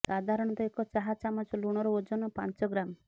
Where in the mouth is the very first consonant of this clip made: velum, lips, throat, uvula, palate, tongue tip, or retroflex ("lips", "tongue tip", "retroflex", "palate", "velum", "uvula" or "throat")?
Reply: tongue tip